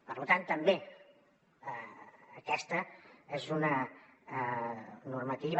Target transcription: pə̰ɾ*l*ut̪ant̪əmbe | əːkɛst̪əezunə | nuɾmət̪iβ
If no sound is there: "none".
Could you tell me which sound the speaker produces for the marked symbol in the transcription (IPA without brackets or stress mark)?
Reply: l